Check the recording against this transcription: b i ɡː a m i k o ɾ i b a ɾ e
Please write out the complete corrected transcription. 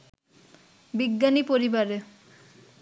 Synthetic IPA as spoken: b i ɡː a n i p o ɾ i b a ɾ e